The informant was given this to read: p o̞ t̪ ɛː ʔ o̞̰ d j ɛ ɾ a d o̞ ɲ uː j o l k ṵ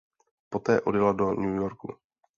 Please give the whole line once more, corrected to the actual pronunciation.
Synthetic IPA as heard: p o̞ t̪ ɛː ʔ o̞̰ d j ɛ l a d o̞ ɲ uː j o ɾ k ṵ